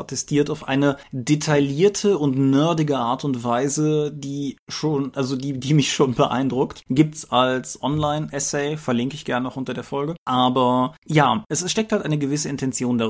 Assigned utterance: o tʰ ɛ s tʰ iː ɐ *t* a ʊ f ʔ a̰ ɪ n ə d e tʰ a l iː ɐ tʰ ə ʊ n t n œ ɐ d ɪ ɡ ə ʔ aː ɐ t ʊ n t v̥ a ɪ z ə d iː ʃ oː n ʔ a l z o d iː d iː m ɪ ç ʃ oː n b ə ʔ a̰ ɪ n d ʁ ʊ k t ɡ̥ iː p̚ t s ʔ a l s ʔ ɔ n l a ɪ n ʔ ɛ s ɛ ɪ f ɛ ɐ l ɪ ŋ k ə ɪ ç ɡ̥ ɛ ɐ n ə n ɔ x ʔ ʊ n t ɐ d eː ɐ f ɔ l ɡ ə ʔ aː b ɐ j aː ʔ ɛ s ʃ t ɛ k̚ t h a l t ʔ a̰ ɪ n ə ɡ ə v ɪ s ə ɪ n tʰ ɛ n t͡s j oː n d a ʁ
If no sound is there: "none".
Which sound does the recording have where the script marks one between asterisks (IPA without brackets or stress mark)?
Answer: t